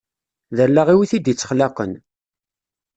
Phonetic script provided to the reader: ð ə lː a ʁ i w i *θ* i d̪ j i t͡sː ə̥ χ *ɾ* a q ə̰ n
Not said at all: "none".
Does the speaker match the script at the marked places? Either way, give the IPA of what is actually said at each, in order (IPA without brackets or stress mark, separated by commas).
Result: θ, l